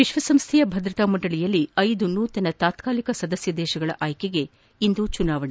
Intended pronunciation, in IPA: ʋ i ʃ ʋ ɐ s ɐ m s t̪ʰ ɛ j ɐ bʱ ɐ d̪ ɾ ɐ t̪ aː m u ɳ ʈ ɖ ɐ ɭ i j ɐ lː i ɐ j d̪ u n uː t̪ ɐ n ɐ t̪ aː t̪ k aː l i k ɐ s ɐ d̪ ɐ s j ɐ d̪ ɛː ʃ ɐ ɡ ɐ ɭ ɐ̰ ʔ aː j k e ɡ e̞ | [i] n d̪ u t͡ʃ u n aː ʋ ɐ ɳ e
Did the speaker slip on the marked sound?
no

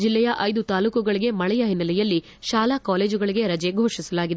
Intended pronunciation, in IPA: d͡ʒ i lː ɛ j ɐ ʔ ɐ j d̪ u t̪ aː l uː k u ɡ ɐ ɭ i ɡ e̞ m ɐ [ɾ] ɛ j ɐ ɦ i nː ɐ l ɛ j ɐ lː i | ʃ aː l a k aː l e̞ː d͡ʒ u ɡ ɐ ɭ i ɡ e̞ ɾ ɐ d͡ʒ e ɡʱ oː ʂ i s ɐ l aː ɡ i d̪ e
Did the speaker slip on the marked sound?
yes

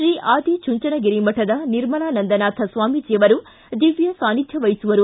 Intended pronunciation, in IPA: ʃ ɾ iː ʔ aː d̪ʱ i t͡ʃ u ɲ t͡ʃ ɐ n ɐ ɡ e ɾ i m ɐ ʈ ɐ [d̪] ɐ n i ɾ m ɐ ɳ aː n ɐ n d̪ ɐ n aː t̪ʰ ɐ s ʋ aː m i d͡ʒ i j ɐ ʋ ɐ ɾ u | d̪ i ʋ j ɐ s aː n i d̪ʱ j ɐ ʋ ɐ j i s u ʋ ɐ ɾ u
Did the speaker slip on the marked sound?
no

